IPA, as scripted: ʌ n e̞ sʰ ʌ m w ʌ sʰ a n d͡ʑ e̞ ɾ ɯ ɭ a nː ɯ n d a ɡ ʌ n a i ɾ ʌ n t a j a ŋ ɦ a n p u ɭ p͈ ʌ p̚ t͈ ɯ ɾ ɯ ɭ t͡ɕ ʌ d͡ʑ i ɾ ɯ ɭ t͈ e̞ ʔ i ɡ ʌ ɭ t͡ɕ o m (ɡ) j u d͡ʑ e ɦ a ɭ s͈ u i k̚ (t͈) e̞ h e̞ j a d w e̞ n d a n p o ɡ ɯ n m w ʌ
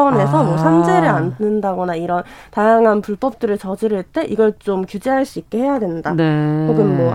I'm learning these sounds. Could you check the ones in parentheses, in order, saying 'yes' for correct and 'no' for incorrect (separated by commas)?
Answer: no, no